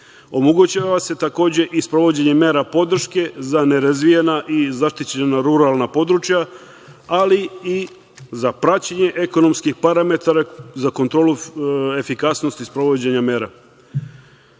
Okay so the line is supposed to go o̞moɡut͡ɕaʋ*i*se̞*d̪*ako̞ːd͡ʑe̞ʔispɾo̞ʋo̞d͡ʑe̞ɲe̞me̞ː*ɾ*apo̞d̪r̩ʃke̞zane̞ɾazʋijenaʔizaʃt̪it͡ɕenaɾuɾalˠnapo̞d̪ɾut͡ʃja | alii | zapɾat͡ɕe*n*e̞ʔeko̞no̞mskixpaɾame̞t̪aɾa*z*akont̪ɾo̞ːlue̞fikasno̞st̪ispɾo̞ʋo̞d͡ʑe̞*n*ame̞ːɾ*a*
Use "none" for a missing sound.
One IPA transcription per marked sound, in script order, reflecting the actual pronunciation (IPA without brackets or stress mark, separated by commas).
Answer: a, t̪, ɾ, ɲ, z, ɲ, a